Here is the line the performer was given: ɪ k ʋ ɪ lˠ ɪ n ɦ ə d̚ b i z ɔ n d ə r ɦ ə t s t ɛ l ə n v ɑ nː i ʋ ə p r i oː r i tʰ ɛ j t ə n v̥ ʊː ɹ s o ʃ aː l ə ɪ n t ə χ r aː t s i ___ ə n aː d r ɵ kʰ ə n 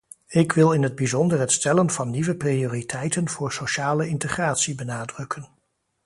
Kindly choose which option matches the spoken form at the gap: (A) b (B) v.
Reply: A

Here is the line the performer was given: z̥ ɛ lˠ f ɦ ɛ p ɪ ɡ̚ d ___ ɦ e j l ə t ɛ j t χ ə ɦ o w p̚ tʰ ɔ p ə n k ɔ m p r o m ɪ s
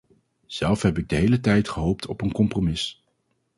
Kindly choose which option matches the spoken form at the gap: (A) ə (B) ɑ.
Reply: A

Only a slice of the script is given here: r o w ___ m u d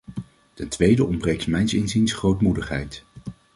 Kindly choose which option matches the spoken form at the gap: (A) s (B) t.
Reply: B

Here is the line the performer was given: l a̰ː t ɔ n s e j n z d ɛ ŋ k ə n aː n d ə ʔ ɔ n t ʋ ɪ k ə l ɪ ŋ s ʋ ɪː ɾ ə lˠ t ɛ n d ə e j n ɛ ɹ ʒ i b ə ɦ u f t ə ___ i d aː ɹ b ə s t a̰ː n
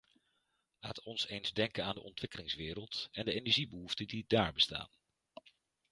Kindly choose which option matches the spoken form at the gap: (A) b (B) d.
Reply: B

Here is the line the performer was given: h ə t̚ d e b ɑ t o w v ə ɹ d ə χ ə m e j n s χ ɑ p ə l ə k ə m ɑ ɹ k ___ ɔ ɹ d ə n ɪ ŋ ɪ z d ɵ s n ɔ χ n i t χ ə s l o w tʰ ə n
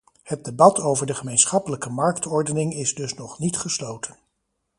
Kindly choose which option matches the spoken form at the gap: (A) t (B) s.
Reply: A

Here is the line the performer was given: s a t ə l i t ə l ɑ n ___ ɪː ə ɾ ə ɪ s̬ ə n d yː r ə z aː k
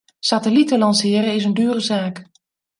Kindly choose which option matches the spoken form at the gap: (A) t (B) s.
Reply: B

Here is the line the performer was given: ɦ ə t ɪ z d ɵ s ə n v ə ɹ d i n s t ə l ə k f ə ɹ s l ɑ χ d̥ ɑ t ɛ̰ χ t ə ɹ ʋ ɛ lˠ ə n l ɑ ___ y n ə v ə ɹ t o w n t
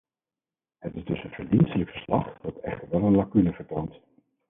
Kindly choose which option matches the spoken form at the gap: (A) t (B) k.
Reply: B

